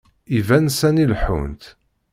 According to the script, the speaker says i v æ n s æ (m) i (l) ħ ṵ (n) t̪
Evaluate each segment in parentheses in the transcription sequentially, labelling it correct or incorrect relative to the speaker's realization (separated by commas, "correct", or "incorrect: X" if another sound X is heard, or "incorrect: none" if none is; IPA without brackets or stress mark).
incorrect: n, correct, correct